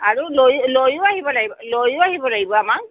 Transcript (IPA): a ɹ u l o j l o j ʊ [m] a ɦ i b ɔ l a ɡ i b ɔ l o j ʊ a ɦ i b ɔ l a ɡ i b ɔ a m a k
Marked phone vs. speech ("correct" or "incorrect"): incorrect